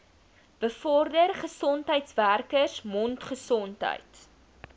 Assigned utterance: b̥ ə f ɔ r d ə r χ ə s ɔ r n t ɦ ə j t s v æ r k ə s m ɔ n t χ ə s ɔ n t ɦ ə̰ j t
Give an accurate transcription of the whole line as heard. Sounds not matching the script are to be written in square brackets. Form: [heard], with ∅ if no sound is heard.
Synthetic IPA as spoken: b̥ ə f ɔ r d ə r χ ə s ɔ [∅] n t ɦ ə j t s v æ r k ə s m ɔ n t χ ə s ɔ n t ɦ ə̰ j t